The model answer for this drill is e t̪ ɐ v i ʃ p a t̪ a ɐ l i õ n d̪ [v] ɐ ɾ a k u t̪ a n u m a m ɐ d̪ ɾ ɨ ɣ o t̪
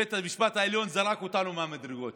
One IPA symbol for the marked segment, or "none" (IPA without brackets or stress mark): z